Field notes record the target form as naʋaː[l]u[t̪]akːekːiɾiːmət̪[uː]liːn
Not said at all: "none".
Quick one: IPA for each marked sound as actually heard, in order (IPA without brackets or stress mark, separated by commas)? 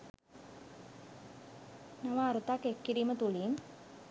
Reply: ɾ, t̪, u